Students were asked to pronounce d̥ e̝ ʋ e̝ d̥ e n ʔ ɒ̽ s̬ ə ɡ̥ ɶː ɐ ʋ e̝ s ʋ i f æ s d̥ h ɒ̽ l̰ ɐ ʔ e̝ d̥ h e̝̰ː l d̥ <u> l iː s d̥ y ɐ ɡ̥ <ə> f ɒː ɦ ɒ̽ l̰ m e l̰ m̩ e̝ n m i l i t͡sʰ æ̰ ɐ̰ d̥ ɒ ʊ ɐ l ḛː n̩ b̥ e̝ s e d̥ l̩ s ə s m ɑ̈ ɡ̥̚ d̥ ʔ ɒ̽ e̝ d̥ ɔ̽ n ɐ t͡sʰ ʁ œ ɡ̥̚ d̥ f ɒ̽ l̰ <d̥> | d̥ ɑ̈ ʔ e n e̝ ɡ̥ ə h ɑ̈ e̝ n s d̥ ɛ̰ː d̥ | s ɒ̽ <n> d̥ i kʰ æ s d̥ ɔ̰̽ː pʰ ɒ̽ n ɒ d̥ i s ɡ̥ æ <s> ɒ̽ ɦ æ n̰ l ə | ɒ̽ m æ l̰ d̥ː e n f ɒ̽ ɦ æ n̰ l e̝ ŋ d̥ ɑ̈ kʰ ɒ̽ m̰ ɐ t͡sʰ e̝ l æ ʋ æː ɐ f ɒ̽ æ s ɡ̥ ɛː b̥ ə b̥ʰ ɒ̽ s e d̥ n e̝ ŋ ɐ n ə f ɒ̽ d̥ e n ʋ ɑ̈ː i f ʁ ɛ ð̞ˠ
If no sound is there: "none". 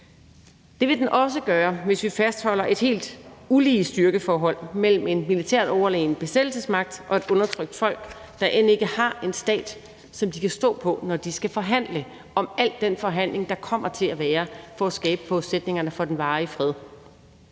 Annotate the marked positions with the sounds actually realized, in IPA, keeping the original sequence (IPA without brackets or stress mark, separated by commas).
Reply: u, ə, ɡ̥, m, f